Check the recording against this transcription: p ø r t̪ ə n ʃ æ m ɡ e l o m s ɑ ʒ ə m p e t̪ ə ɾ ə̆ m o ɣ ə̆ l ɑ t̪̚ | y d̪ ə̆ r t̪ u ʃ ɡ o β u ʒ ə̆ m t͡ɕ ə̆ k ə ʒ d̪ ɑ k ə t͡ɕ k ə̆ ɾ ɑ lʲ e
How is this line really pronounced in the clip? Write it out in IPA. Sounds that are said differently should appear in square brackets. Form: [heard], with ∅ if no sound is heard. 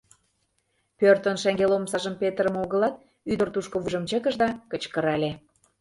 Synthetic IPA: p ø r t̪ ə n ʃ æ [ŋ] ɡ e l o m s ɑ ʒ ə m p e t̪ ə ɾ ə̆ m o ɣ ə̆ l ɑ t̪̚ | y d̪ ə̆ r t̪ u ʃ [k] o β u ʒ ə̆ m t͡ɕ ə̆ k ə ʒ d̪ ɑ k ə t͡ɕ k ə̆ ɾ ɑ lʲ e

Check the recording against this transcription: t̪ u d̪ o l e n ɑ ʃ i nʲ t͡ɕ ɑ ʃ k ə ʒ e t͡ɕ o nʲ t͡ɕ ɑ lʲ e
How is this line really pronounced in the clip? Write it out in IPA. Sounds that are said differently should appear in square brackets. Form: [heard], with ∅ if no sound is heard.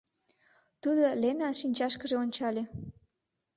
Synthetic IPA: t̪ u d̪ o l e n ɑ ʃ i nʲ t͡ɕ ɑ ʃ k ə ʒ e [∅] o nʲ t͡ɕ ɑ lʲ e

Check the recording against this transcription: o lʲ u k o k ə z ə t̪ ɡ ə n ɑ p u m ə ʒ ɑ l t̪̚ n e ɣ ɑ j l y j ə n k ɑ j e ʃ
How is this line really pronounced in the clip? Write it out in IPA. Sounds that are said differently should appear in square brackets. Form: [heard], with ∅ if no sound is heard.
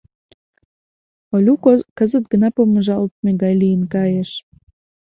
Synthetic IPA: o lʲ u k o k ə z ə t̪ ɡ ə n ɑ p [o] m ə ʒ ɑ l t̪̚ [m] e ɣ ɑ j l [i] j ə n k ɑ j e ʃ

